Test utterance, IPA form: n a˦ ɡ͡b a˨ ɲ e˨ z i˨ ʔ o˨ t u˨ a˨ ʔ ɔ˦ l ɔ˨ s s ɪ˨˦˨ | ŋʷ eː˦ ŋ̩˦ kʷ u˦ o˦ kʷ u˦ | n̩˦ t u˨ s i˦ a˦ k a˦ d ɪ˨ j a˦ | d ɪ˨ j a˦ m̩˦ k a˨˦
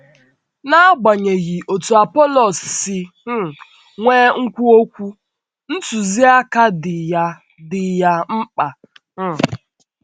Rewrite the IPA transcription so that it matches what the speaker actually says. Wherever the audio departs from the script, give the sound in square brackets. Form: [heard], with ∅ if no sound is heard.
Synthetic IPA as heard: n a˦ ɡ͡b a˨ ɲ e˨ [ɣ] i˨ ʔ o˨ t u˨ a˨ [p] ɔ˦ l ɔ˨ s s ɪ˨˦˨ | ŋʷ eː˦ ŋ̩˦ kʷ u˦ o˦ kʷ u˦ | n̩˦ t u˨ [z] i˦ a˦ k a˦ d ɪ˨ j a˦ | d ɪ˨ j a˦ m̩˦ [k͡p] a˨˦